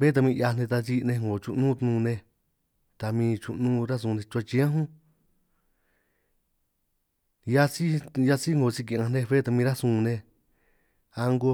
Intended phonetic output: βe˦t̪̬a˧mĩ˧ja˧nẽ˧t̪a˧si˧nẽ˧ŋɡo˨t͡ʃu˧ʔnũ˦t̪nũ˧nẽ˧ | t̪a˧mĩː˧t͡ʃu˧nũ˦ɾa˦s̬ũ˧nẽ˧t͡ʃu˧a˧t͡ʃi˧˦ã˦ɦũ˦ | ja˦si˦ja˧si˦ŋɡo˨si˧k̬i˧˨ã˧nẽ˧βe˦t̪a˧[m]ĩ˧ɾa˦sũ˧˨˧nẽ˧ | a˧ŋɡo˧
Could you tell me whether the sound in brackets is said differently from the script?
no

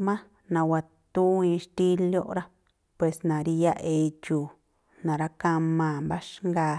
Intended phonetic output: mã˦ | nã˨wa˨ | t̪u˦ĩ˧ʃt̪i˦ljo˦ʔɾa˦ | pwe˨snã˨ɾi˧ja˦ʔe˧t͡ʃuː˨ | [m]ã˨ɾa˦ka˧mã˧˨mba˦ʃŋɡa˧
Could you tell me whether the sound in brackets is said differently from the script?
yes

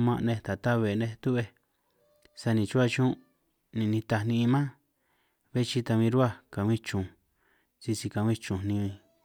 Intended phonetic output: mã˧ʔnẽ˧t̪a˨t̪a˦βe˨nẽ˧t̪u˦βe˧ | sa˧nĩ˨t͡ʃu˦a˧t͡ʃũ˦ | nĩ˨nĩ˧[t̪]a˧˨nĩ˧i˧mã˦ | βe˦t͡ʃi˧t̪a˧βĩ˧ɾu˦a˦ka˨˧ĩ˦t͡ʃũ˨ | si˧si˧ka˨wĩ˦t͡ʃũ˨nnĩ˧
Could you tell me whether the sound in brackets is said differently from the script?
no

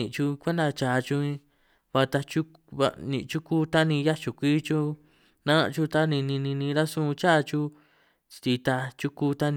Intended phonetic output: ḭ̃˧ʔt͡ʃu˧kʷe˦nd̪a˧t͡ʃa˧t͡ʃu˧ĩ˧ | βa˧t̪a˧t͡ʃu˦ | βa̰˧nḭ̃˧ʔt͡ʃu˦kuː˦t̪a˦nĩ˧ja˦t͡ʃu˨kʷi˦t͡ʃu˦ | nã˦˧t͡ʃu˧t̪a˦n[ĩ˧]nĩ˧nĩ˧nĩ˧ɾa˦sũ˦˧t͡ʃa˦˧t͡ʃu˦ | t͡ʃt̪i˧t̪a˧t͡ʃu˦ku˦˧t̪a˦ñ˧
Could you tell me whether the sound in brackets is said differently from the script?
no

